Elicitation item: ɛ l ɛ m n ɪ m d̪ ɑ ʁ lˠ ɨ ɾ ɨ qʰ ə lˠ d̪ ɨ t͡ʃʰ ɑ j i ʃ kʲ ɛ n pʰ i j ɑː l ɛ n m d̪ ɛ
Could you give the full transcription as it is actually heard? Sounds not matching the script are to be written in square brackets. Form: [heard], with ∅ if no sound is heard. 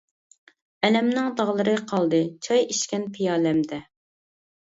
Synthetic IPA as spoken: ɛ l ɛ m n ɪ [ŋ] d̪ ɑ ʁ lˠ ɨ ɾ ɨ qʰ [ɑ] lˠ d̪ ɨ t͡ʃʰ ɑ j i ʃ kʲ ɛ n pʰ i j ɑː l ɛ [∅] m d̪ ɛ